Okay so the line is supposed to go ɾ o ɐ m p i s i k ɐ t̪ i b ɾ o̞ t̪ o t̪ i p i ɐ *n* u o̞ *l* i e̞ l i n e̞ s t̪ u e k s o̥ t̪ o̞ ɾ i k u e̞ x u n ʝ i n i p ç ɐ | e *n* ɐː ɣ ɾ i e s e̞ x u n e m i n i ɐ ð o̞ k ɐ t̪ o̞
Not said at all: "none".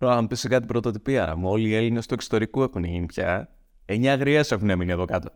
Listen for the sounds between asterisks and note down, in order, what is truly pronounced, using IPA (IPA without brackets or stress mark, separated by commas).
m, l, ɲ